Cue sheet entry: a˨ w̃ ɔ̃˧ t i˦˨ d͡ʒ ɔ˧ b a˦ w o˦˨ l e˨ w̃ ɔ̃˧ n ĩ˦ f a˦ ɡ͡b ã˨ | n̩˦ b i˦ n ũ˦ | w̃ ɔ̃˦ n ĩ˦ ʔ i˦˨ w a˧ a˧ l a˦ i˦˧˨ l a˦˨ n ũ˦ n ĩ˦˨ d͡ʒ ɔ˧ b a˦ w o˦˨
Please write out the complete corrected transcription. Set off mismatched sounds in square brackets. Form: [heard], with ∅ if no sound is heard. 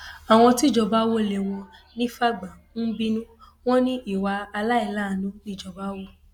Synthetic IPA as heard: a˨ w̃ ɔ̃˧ t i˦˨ d͡ʒ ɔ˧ b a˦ w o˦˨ l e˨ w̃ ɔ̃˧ n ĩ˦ f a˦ ɡ͡b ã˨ | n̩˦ b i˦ n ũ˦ | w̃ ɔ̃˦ n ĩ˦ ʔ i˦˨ w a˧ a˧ l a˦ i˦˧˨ l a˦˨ n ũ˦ n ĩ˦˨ d͡ʒ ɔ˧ b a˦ w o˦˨